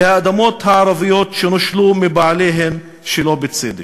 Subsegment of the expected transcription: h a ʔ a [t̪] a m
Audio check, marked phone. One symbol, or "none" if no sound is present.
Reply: d̪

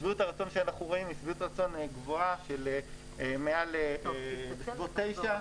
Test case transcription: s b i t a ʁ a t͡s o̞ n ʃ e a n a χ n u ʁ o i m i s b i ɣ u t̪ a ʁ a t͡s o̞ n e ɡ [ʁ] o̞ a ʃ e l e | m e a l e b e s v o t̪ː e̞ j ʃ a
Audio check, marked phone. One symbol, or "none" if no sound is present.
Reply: v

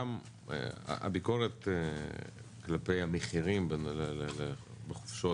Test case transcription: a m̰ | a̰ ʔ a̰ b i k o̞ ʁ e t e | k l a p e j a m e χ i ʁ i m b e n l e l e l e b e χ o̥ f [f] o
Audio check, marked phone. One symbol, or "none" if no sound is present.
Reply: ʃ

